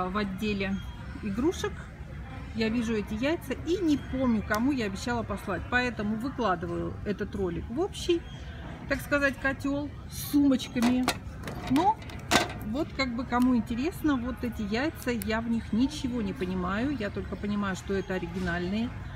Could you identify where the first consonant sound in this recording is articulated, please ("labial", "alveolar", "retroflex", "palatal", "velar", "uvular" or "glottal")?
labial